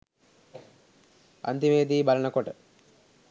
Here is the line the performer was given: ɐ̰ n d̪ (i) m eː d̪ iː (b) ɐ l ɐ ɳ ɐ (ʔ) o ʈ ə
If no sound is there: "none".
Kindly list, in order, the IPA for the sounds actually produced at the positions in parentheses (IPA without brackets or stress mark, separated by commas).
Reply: i, b, k